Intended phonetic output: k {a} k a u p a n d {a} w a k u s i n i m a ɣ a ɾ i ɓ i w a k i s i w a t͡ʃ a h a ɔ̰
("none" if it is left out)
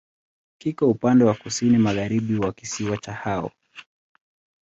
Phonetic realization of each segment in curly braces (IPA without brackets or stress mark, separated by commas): i, ɛ